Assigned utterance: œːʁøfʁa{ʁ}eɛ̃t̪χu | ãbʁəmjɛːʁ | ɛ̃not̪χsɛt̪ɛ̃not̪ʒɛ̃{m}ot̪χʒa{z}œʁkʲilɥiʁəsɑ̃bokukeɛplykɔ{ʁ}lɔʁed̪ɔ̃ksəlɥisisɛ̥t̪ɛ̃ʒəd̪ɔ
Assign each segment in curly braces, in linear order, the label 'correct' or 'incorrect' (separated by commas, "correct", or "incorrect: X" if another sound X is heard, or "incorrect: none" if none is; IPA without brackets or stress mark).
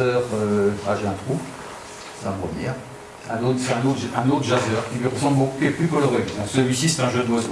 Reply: incorrect: ʒ, incorrect: n, correct, incorrect: none